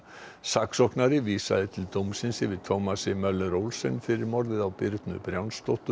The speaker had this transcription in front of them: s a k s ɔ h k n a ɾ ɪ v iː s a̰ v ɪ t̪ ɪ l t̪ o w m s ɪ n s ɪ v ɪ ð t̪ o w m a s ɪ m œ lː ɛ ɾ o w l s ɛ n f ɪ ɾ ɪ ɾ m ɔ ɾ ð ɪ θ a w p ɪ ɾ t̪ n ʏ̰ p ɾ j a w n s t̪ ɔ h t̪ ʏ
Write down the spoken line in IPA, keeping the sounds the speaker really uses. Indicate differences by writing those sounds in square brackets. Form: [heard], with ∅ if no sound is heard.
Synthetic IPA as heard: s a k s ɔ h k n a ɾ ɪ v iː s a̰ [ð] ɪ [t̪ʰ] ɪ l t̪ o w m s ɪ n s ɪ v ɪ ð [t̪ʰ] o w m a s ɪ m œ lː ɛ ɾ o w l s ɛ n f ɪ ɾ ɪ ɾ m ɔ ɾ ð ɪ [ð] a w p ɪ ɾ t̪ n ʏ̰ p ɾ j a w n s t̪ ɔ h t̪ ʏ